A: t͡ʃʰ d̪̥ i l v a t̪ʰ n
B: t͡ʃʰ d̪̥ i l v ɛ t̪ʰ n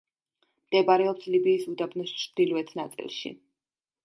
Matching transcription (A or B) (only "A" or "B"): B